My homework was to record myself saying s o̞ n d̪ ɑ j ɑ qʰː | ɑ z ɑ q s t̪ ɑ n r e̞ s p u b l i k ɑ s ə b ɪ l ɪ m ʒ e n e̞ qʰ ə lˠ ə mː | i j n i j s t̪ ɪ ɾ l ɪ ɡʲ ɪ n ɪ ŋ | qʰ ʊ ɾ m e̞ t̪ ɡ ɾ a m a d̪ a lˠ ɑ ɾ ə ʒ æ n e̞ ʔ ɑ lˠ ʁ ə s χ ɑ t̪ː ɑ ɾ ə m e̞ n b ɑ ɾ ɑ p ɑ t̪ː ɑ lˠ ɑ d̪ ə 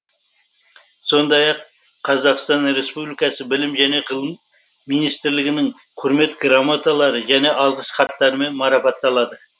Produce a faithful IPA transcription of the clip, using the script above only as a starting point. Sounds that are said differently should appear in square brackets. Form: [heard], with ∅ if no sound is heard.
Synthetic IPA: s o̞ n d̪ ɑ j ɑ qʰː | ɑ z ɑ q s t̪ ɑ n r e̞ s p u b l i k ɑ s ə b ɪ l ɪ m ʒ [æ] n e̞ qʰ ə lˠ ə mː | i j n i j s t̪ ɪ ɾ l ɪ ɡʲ ɪ n ɪ ŋ | qʰ ʊ ɾ m e̞ t̪ ɡ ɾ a m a [t̪] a lˠ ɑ ɾ ə ʒ æ n e̞ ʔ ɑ lˠ ʁ ə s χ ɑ t̪ː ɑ ɾ ə m e̞ n [m] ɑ ɾ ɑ p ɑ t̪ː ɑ lˠ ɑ d̪ ə